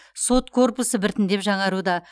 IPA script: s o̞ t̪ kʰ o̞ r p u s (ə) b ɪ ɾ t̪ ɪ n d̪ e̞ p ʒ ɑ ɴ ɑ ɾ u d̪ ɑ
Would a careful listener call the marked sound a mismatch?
no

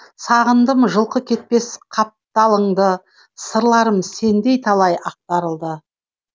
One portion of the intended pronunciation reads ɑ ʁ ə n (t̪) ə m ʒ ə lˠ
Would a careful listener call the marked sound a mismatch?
yes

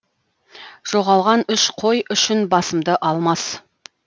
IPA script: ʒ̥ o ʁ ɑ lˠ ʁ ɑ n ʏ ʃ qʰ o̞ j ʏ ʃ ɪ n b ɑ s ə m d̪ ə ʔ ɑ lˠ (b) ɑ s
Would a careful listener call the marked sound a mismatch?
yes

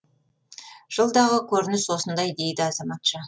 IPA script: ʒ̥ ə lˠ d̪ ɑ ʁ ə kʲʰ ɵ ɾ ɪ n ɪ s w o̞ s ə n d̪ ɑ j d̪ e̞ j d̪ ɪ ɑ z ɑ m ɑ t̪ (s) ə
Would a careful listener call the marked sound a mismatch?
yes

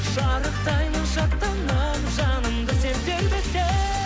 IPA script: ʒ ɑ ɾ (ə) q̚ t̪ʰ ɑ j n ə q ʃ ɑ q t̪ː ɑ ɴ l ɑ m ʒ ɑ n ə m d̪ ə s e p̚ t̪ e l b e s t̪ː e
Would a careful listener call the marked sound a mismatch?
no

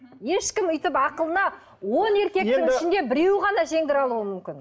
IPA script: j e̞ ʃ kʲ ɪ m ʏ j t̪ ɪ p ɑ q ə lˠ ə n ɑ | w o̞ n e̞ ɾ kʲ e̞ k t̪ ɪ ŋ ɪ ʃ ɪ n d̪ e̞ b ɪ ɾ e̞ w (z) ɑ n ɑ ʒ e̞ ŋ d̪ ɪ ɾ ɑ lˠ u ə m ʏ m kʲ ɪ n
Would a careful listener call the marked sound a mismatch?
yes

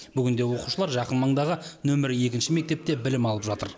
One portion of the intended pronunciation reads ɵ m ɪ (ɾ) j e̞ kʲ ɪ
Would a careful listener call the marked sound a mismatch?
no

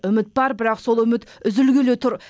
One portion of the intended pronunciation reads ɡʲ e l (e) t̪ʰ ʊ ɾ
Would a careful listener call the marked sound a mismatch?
no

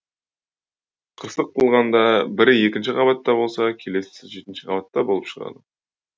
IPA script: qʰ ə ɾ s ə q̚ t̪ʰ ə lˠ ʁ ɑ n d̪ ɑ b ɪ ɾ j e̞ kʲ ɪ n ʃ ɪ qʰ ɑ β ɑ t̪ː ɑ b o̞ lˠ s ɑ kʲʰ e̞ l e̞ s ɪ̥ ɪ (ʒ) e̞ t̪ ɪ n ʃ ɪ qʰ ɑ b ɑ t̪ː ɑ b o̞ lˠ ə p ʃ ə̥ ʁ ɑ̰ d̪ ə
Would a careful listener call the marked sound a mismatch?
no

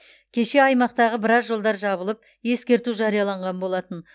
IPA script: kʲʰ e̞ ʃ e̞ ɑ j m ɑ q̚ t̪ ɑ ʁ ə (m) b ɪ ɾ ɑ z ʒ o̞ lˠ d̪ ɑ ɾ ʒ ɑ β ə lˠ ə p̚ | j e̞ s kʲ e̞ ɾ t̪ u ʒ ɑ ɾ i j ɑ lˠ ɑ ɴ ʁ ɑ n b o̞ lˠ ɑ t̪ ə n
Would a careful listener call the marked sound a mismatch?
yes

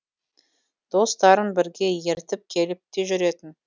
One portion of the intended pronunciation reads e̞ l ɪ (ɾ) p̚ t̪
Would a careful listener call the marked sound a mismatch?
yes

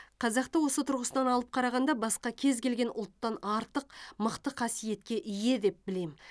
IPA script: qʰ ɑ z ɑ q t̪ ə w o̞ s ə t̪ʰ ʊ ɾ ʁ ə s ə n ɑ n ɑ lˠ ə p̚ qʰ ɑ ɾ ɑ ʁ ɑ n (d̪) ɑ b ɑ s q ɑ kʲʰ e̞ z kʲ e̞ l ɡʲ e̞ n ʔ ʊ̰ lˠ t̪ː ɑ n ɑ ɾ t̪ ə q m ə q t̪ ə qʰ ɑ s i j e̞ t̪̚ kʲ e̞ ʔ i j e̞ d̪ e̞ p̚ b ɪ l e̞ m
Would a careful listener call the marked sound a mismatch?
no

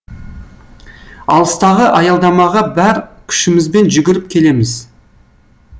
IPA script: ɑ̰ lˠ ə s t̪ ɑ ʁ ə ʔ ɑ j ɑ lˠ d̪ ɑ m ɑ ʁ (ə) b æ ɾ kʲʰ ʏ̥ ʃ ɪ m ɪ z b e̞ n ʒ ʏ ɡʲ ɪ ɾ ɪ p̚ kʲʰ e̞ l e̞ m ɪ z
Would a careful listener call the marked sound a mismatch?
yes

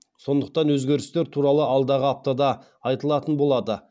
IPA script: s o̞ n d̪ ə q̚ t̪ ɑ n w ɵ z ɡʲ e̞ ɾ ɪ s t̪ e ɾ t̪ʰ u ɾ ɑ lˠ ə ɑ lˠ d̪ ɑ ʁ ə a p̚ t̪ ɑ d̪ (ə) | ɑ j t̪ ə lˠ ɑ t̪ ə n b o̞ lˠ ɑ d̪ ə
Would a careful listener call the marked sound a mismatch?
yes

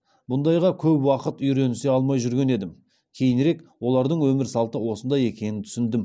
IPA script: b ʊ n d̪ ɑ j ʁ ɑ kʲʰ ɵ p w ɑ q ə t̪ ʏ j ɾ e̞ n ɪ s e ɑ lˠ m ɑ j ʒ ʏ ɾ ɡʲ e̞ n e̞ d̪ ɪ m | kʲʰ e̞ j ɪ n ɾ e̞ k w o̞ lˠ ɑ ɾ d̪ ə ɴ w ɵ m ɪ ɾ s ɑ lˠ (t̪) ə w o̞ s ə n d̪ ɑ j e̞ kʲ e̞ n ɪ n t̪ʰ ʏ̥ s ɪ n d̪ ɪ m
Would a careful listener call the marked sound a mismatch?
no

